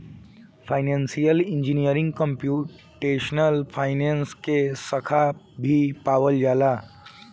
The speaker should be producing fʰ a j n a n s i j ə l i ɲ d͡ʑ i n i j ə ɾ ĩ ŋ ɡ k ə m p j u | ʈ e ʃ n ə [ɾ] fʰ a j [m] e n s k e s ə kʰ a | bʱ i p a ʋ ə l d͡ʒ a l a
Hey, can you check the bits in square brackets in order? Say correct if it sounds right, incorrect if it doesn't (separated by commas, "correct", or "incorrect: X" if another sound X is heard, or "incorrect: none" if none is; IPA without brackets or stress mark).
incorrect: l, incorrect: n